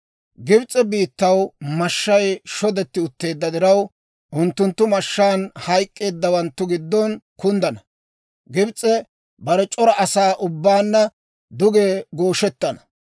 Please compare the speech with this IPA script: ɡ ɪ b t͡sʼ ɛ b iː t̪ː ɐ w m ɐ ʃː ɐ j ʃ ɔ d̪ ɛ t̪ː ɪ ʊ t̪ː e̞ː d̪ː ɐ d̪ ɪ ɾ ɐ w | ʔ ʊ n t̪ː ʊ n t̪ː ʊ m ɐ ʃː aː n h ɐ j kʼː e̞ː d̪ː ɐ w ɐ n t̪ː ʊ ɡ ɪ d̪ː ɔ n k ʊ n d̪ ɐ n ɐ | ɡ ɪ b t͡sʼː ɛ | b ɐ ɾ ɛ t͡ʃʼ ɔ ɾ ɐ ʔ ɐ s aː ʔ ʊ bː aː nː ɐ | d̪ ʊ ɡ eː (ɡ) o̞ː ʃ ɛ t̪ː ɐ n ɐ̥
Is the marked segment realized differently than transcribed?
no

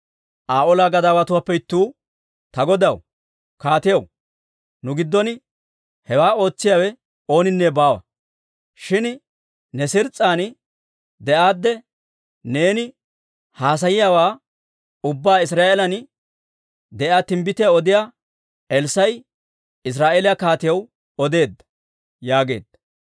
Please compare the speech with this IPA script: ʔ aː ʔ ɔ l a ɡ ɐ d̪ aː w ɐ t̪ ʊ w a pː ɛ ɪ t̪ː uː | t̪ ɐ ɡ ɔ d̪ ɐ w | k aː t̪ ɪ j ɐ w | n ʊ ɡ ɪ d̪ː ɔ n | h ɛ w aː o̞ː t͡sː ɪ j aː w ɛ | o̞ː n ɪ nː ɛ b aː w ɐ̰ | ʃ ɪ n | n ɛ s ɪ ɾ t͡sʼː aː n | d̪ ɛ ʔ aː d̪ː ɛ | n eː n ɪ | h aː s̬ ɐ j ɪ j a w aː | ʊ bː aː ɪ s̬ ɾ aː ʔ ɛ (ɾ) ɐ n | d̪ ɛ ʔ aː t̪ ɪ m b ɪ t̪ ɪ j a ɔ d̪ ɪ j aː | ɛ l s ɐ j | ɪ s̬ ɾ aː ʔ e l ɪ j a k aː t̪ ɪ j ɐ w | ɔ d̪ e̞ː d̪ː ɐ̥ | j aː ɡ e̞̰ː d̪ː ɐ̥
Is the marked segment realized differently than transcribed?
yes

